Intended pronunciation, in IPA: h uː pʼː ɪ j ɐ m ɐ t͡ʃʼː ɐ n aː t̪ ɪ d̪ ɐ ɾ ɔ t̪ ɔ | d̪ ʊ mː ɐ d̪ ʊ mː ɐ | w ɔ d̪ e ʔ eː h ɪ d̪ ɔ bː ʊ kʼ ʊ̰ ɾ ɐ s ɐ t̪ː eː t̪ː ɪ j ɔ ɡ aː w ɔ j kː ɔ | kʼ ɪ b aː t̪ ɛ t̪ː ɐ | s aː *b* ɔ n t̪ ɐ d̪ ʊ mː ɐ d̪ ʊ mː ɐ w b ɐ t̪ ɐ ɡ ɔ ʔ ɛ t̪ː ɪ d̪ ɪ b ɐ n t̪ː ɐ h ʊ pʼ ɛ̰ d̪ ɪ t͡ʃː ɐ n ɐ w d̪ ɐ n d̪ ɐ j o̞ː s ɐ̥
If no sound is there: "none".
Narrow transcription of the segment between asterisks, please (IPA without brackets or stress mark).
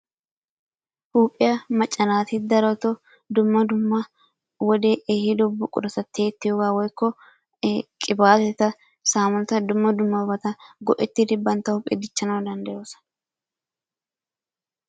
m